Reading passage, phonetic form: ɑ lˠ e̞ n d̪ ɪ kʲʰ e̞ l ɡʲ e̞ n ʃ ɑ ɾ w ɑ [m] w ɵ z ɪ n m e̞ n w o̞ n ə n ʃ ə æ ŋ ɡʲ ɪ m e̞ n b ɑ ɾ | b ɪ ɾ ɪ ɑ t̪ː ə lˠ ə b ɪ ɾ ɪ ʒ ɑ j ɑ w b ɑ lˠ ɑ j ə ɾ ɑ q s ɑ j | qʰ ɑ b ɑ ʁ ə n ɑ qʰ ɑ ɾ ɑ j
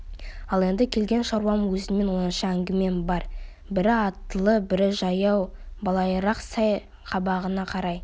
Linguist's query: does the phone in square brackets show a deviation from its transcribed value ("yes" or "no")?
no